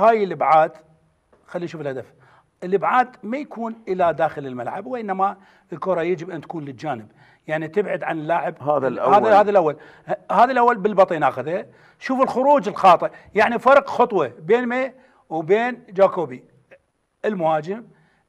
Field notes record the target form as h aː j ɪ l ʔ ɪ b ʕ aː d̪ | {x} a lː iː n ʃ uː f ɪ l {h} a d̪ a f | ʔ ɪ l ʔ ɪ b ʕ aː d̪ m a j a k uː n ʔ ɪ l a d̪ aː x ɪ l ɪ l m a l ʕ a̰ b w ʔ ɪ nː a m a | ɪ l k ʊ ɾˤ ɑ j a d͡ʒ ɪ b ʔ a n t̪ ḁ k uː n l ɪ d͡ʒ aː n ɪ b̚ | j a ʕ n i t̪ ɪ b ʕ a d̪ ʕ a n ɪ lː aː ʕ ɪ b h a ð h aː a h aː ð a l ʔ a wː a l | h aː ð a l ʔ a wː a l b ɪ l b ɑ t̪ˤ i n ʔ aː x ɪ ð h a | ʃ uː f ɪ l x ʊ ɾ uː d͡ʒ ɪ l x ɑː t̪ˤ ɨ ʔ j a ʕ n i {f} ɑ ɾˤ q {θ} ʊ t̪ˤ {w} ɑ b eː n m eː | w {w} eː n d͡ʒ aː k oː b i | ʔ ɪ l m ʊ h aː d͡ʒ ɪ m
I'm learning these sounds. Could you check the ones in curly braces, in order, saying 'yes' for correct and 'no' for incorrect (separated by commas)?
yes, yes, yes, no, yes, no